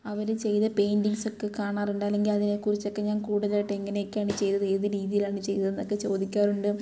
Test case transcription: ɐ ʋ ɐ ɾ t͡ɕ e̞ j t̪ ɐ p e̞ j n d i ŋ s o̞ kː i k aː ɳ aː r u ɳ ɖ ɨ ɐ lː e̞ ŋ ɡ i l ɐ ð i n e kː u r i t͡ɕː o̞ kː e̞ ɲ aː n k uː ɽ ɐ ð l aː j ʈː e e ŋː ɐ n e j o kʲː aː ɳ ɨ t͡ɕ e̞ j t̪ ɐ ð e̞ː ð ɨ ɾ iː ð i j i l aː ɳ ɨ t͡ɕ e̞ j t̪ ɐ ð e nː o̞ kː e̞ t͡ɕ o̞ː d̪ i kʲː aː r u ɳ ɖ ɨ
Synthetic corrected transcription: ɐ ʋ ɐ ɾ t͡ɕ e̞ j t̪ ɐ p e̞ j n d i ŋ s o̞ kː e k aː ɳ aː r u ɳ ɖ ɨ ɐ lː e̞ ŋ ɡ i l ɐ ð i n e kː u r i t͡ɕː o̞ kː e̞ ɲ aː n k uː ɽ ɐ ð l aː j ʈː e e ŋː ɐ n e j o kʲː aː ɳ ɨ t͡ɕ e̞ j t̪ ɐ ð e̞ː ð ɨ ɾ iː ð i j i l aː ɳ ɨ t͡ɕ e̞ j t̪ ɐ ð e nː o̞ kː e̞ t͡ɕ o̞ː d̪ i kʲː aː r u ɳ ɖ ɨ

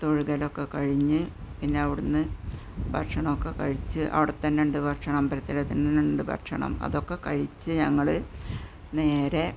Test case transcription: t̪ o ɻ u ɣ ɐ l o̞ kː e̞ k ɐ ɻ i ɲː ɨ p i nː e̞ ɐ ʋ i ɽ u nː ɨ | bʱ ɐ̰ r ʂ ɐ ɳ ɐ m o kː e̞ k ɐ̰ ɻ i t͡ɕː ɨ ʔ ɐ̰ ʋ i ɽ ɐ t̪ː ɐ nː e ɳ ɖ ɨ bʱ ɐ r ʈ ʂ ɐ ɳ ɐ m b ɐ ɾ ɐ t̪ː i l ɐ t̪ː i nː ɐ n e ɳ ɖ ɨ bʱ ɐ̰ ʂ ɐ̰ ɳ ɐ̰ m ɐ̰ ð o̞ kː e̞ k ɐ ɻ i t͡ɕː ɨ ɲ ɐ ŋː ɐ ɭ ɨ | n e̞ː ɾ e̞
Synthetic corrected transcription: t̪ o ɻ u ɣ ɐ l o̞ kː e̞ k ɐ ɻ i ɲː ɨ p i nː e̞ ɐ ʋ i ɽ u nː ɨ | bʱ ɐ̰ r ʂ ɐ ɳ ɐ m o kː e̞ k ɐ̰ ɻ i t͡ɕː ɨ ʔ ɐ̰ ʋ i ɽ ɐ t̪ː ɐ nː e ɳ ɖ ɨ bʱ ɐ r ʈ ʂ ɐ ɳ ɐ m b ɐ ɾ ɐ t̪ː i l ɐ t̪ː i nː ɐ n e ɳ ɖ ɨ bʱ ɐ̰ ʂ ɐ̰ ɳ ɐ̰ m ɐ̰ ð o̞ kː e̞ k ɐ ɻ i t͡ɕː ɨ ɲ ɐ ŋː ɐ ɭ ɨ | n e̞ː ɾ e̞

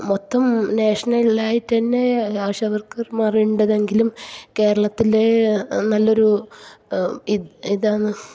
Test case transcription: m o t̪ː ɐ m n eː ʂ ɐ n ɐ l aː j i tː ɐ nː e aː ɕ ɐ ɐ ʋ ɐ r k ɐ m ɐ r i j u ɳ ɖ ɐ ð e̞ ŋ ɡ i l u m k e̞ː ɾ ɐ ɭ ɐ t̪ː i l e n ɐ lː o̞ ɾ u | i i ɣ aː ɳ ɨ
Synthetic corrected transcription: m o t̪ː ɐ m n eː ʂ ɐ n ɐ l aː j i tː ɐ nː e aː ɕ ɐ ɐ ʋ ɐ r k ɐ m ɐ r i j u ɳ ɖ ɐ ð e̞ ŋ ɡ i l u m k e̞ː ɾ ɐ ɭ ɐ t̪ː i l e n ɐ lː o̞ ɾ u | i i ð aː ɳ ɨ

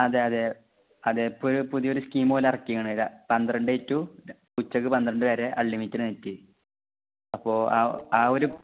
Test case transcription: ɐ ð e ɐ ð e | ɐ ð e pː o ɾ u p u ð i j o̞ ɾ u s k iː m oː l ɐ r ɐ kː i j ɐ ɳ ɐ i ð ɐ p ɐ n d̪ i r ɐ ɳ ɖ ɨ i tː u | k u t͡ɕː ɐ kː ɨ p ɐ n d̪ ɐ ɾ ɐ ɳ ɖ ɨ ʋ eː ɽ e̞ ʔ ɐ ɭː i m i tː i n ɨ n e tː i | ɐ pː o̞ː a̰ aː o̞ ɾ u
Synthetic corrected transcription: ɐ ð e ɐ ð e | ɐ ð e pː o ɾ u p u ð i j o̞ ɾ u s k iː m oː l ɐ r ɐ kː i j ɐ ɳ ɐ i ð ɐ p ɐ n d̪ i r ɐ ɳ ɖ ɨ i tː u | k u t͡ɕː ɐ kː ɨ p ɐ n d̪ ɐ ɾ ɐ ɳ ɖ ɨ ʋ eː ɾ e̞ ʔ ɐ ɭː i m i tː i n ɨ n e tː i | ɐ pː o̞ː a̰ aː o̞ ɾ u

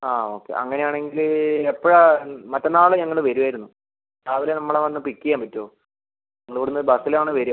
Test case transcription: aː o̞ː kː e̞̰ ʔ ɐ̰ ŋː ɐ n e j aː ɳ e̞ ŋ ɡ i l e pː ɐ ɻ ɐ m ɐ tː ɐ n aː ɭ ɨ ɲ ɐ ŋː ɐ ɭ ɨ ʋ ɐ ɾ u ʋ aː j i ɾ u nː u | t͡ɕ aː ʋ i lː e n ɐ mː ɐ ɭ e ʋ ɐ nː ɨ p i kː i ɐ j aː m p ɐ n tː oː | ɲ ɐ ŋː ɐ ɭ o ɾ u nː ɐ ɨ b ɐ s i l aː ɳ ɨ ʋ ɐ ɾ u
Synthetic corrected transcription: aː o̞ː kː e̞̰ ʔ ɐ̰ ŋː ɐ n e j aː ɳ e̞ ŋ ɡ i l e pː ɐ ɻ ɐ m ɐ tː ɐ n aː ɭ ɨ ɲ ɐ ŋː ɐ ɭ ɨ ʋ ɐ ɾ u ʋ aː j i ɾ u nː u | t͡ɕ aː ʋ i l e n ɐ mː ɐ ɭ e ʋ ɐ nː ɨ p i kː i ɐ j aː m p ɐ tː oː | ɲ ɐ ŋː ɐ ɭ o ɽ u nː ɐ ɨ b ɐ s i l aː ɳ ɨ ʋ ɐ ɾ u

